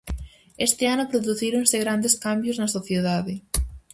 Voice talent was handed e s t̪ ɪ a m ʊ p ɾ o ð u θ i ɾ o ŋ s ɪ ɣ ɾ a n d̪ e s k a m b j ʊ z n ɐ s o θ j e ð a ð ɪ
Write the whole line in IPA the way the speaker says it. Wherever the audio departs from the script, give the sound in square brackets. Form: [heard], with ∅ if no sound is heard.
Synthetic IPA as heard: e s t̪ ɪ a [n] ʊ p ɾ o ð u θ i ɾ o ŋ s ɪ ɣ ɾ a n d̪ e s k a m b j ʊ z n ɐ s o θ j e ð a ð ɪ